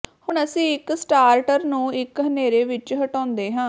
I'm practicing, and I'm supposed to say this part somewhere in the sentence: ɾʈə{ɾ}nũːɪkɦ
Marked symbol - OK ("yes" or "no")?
yes